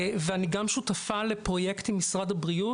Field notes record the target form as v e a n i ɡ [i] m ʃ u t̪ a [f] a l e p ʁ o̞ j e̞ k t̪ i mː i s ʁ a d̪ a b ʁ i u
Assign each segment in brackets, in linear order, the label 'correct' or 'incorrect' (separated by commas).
incorrect, correct